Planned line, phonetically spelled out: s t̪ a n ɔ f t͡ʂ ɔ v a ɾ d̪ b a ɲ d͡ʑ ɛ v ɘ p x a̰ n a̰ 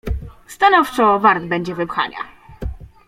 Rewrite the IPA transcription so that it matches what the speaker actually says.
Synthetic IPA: s t̪ a n ɔ f t͡ʂ ɔ v a ɾ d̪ b ɛ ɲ d͡ʑ ɛ v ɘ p x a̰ ɲ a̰

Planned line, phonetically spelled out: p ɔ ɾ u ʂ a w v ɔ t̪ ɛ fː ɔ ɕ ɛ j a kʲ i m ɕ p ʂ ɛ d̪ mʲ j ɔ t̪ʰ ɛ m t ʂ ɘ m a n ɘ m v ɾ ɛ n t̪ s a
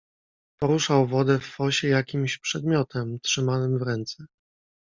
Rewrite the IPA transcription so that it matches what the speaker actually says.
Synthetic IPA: p ɔ ɾ u ʂ a w v ɔ d̪ ɛ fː ɔ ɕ ɛ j a kʲ i m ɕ p ʂ ɛ d̪ mʲ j ɔ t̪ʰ ɛ m t ʂ ɘ m a n ɘ m v ɾ ɛ n t̪ s ɛ

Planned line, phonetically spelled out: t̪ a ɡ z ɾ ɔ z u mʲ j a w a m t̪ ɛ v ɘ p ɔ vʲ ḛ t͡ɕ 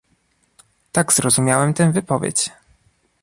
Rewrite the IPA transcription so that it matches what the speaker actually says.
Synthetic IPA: t̪ a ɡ z ɾ ɔ z u mʲ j a w ɛ m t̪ ɛ v ɘ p ɔ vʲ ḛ t͡ɕ

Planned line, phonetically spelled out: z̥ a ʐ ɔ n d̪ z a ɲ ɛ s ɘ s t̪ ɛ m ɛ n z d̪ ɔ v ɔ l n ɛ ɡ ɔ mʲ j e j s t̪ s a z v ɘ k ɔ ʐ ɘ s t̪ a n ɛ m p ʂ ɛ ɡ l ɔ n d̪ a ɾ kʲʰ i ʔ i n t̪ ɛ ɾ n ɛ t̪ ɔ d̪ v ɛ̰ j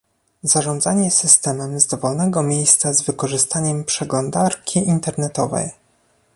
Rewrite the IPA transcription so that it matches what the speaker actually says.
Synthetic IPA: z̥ a ʐ ɔ n d̪ z a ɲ ɛ s ɘ s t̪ ɛ m ɛ m z d̪ ɔ v ɔ l n ɛ ɡ ɔ mʲ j e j s t̪ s a z v ɘ k ɔ ʐ ɘ s t̪ a ɲ ɛ m p ʂ ɛ ɡ l ɔ n d̪ a ɾ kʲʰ i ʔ i n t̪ ɛ ɾ n ɛ t̪ ɔ v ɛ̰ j

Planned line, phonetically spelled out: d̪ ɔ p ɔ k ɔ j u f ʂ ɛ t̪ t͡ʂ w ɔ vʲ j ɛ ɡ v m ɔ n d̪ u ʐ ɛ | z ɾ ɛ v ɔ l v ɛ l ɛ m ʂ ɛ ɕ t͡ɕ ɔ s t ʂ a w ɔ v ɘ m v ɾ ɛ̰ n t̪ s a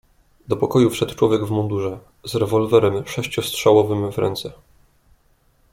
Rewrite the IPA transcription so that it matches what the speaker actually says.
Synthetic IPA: d̪ ɔ p ɔ k ɔ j u f ʂ ɛ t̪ t͡ʂ w ɔ vʲ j ɛ ɡ v m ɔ n d̪ u ʐ ɛ | z ɾ ɛ v ɔ l v ɛ ɾ ɛ m ʂ ɛ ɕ t͡ɕ ɔ s t ʂ a w ɔ v ɘ m v ɾ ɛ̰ n t̪ s ɛ

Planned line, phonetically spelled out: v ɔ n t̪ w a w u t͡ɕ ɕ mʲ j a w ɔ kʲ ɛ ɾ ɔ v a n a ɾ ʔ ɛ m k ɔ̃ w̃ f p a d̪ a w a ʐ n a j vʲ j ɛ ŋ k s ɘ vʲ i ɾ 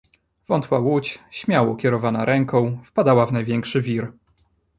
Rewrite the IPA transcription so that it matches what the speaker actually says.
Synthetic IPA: v ɔ n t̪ w a w u t͡ɕ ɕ mʲ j a w ɔ kʲ ɛ ɾ ɔ v a n a ɾ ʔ ɛ ŋ k ɔ̃ w̃ f p a d̪ a w a v n a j vʲ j ɛ ŋ k ʂ ɘ vʲ i ɾ

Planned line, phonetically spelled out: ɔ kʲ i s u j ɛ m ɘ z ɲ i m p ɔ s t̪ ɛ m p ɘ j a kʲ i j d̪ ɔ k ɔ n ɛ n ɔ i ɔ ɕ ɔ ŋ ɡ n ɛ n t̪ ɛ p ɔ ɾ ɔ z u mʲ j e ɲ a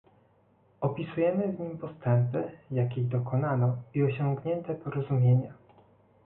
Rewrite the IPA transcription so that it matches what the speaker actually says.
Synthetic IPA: ɔ pʲ i s u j ɛ m ɘ v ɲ i m p ɔ s t̪ ɛ m p ɘ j a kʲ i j d̪ ɔ k ɔ n a n ɔ i ɔ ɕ ɔ ŋ ɡ ɲ ɛ n t̪ ɛ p ɔ ɾ ɔ z u mʲ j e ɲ a

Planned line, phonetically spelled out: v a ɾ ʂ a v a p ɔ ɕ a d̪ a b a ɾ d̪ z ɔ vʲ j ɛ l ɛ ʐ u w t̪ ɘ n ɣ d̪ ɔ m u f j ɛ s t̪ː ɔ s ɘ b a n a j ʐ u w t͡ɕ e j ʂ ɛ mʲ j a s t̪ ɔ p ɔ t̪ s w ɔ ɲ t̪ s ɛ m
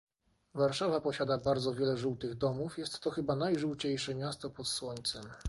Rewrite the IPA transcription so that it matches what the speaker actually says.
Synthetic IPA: v a ɾ ʂ a v a p ɔ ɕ a d̪ a b a ɾ d̪ z ɔ vʲ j ɛ l ɛ ʐ u w t̪ ɘ ɣ d̪ ɔ m u f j ɛ s t̪ː ɔ x ɘ b a n a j ʐ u w t͡ɕ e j ʂ ɛ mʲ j a s t̪ ɔ p ɔ t̪ s w ɔ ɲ t̪ s ɛ m

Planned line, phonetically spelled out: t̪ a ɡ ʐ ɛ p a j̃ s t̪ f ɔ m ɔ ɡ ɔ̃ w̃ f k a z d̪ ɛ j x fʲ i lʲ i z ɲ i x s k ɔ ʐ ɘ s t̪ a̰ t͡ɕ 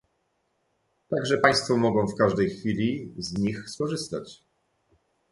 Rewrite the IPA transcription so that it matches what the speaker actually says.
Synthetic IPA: t̪ a ɡ ʐ ɛ p a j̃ s t̪ f ɔ m ɔ ɡ ɔ̃ w̃ f k a ʐ d̪ ɛ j x fʲ i lʲ i z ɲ i x s k ɔ ʐ ɘ s t̪ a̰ t͡ɕ

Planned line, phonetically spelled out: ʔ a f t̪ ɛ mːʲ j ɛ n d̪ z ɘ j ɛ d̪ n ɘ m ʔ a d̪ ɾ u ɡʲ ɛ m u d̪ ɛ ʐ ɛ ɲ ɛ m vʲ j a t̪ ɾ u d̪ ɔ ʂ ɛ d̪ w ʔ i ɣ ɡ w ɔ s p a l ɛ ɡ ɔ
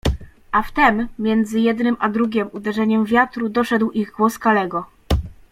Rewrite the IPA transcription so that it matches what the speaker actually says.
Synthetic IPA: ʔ a f t̪ ɛ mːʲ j ɛ n d̪ z ɘ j ɛ d̪ n ɘ m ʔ a d̪ ɾ u ɡʲ ɛ m u d̪ ɛ ʐ ɛ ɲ ɛ m vʲ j a t̪ ɾ u d̪ ɔ ʂ ɛ d̪ w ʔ i ɣ ɡ w ɔ s k a l ɛ ɡ ɔ

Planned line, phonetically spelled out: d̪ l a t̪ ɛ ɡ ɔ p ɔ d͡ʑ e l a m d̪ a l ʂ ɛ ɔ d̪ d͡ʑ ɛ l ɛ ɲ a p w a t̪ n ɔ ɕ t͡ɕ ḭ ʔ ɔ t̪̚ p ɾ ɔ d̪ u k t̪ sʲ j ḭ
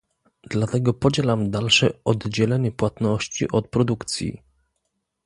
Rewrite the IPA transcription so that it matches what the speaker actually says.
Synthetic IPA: d̪ l a t̪ ɛ ɡ ɔ p ɔ d͡ʑ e l a m d̪ a l ʂ ɛ ɔ d̪ d͡ʑ ɛ l ɛ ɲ ɛ p w a t̪ n ɔ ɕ t͡ɕ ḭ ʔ ɔ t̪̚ p ɾ ɔ d̪ u k t̪ sʲ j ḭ

